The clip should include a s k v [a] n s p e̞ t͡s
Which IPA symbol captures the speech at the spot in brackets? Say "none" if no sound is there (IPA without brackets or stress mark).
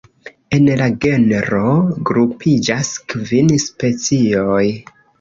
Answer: i